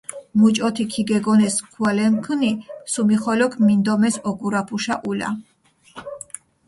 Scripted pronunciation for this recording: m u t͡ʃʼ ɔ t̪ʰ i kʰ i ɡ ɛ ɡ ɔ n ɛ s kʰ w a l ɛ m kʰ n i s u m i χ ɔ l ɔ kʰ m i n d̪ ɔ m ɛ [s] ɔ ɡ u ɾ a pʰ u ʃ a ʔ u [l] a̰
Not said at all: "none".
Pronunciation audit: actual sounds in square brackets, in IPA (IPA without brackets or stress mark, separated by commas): s, l